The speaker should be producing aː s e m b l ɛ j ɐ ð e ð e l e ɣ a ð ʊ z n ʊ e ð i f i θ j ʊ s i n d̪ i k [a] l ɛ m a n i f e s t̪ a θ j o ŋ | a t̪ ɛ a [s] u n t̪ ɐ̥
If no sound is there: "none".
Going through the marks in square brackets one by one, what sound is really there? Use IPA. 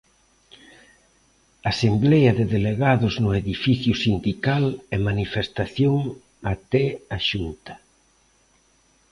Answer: a, ʃ

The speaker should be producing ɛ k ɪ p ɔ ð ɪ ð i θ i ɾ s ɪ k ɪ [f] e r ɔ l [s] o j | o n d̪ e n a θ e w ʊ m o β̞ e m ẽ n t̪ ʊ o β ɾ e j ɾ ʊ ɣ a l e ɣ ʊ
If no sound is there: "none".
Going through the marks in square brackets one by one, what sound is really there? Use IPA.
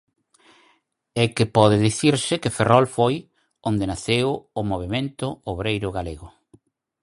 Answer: f, f

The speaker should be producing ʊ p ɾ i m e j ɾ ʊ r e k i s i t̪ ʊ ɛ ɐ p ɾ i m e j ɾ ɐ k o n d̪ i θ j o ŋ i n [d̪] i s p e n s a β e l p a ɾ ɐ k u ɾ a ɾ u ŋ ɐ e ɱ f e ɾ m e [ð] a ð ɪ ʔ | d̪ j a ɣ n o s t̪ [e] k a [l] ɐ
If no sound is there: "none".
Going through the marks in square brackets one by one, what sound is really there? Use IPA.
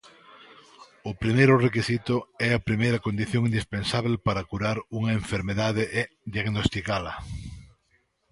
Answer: d̪, ð, i, l

